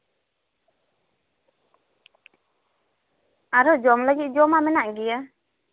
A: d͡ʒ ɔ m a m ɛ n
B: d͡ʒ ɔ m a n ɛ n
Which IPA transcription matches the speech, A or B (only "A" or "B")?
A